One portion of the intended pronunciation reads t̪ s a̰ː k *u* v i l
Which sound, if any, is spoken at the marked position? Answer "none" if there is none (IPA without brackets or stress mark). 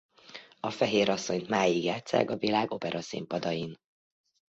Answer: ɒ